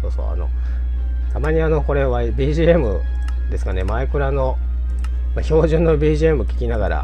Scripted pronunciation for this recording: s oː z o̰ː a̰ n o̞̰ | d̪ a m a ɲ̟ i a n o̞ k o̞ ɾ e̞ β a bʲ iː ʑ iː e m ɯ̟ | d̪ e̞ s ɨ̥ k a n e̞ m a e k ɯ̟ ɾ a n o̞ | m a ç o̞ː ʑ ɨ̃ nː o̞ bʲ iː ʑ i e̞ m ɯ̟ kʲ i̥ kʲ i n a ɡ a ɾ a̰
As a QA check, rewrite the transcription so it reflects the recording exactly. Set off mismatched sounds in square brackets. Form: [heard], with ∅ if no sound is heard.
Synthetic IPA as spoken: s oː [s] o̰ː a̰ n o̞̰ | [t̪] a m a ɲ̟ i a n o̞ k o̞ ɾ e̞ β a bʲ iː ʑ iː e m ɯ̟ | d̪ e̞ s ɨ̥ k a n e̞ m a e k ɯ̟ ɾ a n o̞ | m a ç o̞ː ʑ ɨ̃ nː o̞ bʲ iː ʑ i e̞ m ɯ̟ kʲ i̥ kʲ i n a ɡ a ɾ a̰